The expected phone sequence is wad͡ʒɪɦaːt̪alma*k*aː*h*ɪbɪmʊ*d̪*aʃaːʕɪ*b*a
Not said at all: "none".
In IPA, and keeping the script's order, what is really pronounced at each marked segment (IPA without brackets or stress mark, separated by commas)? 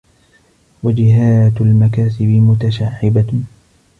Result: k, s, t̪, b